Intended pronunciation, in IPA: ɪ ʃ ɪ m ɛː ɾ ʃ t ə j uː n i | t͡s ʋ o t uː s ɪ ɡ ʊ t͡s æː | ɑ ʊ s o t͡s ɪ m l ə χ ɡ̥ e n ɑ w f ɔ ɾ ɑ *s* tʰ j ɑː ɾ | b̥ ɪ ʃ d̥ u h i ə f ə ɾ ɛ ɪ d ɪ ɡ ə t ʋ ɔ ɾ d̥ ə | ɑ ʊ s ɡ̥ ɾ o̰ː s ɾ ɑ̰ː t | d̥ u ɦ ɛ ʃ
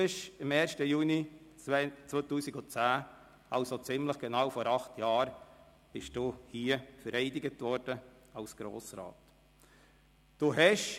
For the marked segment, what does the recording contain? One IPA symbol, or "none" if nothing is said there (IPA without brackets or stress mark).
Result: χ